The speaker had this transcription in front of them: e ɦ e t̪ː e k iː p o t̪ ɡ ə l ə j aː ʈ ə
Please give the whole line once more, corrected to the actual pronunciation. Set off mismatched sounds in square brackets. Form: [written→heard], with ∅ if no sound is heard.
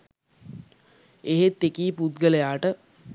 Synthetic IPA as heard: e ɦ e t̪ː e k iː p [o→u] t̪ ɡ ə l ə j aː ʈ ə